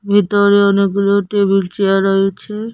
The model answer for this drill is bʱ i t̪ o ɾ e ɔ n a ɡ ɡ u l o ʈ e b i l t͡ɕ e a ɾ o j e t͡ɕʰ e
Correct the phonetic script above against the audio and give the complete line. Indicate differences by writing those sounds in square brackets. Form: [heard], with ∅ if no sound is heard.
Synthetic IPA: bʱ i t̪ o ɾ e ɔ n [e] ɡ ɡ u l o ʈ e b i l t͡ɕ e a ɾ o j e t͡ɕʰ e